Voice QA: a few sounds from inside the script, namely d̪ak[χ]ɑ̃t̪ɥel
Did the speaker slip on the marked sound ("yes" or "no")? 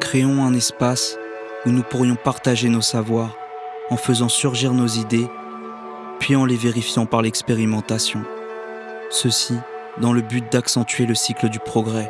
yes